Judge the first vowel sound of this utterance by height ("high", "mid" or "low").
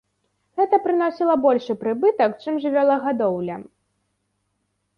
mid